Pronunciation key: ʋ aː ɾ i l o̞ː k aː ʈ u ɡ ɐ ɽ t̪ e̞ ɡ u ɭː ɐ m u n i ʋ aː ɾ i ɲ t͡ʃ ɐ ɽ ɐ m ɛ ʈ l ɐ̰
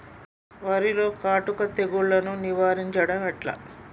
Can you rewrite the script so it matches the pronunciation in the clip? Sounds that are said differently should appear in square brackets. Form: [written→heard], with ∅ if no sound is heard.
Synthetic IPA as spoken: ʋ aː ɾ i l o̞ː k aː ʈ u [ɡ→k] ɐ [ɽ→∅] t̪ e̞ ɡ u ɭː ɐ [m→n] u n i ʋ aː ɾ i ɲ t͡ʃ ɐ ɽ ɐ m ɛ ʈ l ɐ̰